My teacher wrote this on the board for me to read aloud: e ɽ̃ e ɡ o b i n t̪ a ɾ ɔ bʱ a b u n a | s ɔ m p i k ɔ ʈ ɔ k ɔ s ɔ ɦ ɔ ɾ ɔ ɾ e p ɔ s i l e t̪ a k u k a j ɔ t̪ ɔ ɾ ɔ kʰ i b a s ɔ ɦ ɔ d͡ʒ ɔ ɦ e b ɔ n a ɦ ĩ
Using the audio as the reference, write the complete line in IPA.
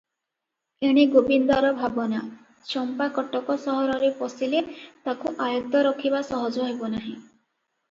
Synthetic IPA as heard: e ɽ̃ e ɡ o b i n d̪ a ɾ ɔ bʱ a b ɔ n a | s ɔ m p a k ɔ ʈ ɔ k ɔ s ɔ ɦ ɔ ɾ ɔ ɾ e p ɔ s i l e t̪ a k u ʔ a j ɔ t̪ ɔ ɾ ɔ kʰ i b a s ɔ ɦ ɔ d͡ʒ ɔ ɦ e b ɔ n a ɦ ĩ